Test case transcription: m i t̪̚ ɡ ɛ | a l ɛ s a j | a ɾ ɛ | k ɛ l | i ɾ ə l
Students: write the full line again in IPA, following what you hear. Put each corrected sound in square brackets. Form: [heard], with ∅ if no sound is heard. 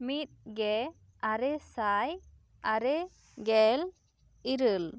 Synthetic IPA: m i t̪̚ ɡ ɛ | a [ɾ] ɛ s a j | a ɾ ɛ | [ɡ] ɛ l | i ɾ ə l